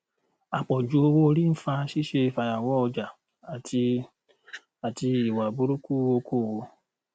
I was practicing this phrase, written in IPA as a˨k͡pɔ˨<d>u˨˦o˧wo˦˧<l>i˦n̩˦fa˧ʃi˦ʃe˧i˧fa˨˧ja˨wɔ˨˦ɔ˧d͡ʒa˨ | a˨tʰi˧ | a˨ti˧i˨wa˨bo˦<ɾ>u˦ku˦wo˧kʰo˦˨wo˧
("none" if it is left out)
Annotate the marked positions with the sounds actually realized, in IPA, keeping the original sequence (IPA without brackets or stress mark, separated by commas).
d͡ʒ, ɾ, ɾ